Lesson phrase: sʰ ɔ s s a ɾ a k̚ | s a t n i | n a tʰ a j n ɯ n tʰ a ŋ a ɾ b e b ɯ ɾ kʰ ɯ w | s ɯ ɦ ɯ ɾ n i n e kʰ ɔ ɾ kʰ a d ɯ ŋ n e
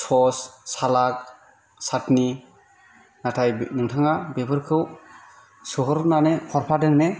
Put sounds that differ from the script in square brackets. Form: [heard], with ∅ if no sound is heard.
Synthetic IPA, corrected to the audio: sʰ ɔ s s a [l] a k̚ | s a t n i | n a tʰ a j n ɯ [ŋ] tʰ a ŋ a [∅] b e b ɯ ɾ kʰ ɯ w | s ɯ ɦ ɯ ɾ n [a] n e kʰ ɔ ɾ [pʰ] a d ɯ ŋ n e